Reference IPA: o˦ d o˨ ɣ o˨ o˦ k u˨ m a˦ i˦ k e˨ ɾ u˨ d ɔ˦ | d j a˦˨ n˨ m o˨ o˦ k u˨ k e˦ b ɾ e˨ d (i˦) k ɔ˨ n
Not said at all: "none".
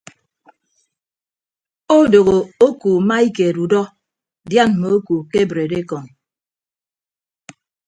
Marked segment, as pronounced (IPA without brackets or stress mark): e˦